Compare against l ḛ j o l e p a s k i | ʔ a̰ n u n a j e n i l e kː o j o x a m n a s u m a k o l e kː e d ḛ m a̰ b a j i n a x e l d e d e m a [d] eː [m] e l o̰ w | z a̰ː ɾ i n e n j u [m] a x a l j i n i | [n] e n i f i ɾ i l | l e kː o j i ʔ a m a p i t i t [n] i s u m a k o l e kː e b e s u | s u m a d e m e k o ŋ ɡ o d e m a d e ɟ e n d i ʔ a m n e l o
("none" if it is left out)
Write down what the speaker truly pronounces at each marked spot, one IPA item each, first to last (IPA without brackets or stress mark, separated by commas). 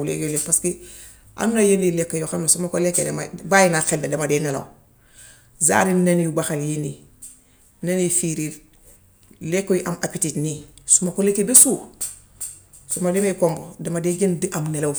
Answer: d, n, b, n, n